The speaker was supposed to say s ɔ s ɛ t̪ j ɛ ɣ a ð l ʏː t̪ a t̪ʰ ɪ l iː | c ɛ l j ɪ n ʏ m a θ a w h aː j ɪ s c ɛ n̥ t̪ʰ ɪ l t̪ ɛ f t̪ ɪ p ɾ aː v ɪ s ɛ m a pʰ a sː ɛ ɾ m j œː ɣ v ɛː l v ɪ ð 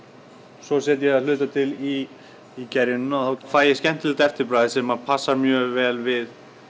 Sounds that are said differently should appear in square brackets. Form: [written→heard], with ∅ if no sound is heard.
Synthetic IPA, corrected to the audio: s ɔ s ɛ t̪ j ɛ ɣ a ð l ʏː t̪ a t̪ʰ ɪ l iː | c ɛ [l→ɾ] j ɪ n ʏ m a θ a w [h→f] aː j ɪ s c ɛ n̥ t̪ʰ ɪ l t̪ ɛ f t̪ ɪ p ɾ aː [v→ð] ɪ s ɛ m a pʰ a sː [ɛ→a] ɾ m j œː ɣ v ɛː l v ɪ ð

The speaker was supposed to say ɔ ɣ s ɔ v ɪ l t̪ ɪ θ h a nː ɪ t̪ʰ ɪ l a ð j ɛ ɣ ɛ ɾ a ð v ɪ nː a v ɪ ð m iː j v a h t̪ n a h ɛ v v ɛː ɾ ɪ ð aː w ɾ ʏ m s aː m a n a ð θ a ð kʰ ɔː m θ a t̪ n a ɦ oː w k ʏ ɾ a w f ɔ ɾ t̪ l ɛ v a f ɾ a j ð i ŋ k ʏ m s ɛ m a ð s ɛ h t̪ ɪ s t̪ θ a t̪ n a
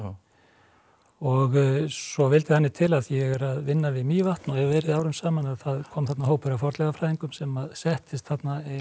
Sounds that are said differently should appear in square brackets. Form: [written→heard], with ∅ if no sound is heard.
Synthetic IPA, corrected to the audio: ɔ ɣ s ɔ v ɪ l t̪ ɪ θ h a nː ɪ t̪ʰ ɪ l a ð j ɛ ɣ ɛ ɾ a ð v ɪ nː a v ɪ ð m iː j v a h t̪ n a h ɛ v v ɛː ɾ ɪ ð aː w ɾ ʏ m s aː m a n a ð θ a ð kʰ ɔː m θ a t̪ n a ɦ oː w [k→p] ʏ ɾ a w f ɔ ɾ t̪ l ɛ [v→ɣ] a f ɾ a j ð i ŋ k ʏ m s ɛ m a ð s ɛ h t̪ ɪ s t̪ θ a t̪ n a

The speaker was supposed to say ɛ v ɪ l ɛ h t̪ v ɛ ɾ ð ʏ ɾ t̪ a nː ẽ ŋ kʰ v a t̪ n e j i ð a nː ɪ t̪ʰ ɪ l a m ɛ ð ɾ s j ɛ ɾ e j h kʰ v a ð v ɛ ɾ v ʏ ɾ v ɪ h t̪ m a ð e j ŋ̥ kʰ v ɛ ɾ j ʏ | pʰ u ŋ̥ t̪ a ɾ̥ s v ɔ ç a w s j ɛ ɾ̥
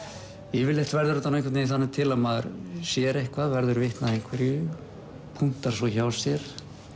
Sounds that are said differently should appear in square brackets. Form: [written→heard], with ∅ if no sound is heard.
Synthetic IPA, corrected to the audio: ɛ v ɪ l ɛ h t̪ v ɛ ɾ ð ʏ ɾ t̪ a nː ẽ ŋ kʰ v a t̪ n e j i [ð→θ] a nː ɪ t̪ʰ ɪ l a m [ɛ→a] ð ɾ s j ɛ ɾ e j h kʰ v a ð v ɛ ɾ [v→ð] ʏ ɾ v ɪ h t̪ [m→n] a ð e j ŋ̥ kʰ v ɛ ɾ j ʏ | pʰ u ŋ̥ t̪ a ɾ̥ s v ɔ ç a w s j ɛ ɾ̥

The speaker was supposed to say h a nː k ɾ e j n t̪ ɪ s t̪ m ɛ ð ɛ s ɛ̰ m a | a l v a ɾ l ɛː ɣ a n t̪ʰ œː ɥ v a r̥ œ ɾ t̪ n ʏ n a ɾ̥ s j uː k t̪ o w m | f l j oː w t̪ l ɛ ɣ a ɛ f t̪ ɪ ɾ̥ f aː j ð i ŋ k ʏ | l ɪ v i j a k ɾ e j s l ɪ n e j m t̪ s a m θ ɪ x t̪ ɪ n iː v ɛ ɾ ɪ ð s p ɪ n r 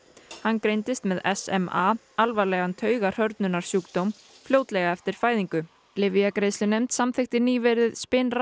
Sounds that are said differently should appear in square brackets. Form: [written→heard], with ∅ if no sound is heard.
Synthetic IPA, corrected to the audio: h a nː k ɾ e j n t̪ ɪ s t̪ m ɛ ð ɛ s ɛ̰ m a | a l v a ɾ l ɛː ɣ a n t̪ʰ œː ɥ [v→ɣ] a r̥ œ ɾ t̪ n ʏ n a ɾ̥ s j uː k t̪ o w m | f l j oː w t̪ l ɛ ɣ a ɛ f t̪ ɪ ɾ̥ f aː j ð i ŋ k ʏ | l ɪ v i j a k ɾ e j s l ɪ n e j m t̪ s a m θ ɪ x t̪ ɪ n iː v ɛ ɾ ɪ ð s p ɪ n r

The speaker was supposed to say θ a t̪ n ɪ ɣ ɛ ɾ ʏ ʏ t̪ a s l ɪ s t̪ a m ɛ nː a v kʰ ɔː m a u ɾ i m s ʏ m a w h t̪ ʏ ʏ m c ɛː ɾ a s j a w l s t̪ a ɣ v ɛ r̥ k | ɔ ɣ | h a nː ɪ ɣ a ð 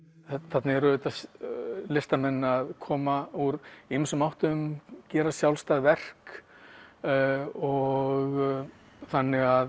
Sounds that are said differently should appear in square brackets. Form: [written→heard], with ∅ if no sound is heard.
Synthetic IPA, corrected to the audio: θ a t̪ n ɪ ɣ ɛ ɾ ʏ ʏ t̪ a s l ɪ s t̪ a m ɛ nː a [v→ð] kʰ ɔː m a u ɾ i m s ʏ m a w h t̪ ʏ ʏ m c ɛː ɾ a s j a w l s t̪ a ɣ v ɛ r̥ k | ɔ ɣ | [h→θ] a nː ɪ ɣ a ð

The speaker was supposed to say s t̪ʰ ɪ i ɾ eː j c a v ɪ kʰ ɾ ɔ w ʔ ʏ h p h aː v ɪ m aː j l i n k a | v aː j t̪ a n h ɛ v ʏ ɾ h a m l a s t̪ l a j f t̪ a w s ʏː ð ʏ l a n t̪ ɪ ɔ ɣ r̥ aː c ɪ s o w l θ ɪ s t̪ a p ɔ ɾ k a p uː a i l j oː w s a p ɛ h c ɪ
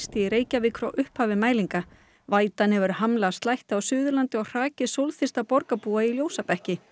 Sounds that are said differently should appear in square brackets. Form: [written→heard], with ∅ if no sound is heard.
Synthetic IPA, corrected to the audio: s [t̪ʰ→t̪] ɪ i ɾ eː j c a v ɪ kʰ ɾ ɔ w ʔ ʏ h p h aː v ɪ m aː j l i [n→ŋ] k a | v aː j t̪ a n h ɛ v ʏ ɾ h a m l a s t̪ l a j [f→h] t̪ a w s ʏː ð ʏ l a n t̪ ɪ ɔ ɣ r̥ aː c ɪ s o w l θ ɪ s t̪ a p ɔ ɾ k a p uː a i l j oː w s a p ɛ h c ɪ

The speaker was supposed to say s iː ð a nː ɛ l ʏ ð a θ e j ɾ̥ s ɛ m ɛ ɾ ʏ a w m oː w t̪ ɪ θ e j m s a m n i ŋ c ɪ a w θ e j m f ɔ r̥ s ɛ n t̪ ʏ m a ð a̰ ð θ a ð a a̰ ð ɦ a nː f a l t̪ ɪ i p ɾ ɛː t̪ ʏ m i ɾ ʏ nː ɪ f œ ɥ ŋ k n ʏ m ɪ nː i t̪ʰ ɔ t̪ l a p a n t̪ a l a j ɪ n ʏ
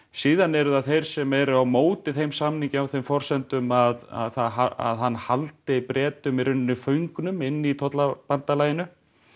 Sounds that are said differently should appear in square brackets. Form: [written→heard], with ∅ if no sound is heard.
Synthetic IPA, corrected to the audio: s iː ð a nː ɛ [l→ɾ] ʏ ð a θ e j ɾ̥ s ɛ m ɛ ɾ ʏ a w m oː w t̪ ɪ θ e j m s a m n i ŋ c ɪ a w θ e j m f ɔ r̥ s ɛ n t̪ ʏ m a ð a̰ ð θ a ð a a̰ ð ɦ a nː [f→h] a l t̪ ɪ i p ɾ ɛː t̪ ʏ m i ɾ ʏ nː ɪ f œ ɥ ŋ k n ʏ m ɪ nː i t̪ʰ ɔ t̪ l a p a n t̪ a l a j ɪ n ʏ

